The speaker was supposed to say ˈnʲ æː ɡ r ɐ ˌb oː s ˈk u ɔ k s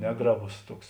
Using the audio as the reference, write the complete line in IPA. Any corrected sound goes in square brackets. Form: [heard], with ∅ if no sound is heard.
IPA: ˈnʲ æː ɡ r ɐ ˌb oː s [ˈt] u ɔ k s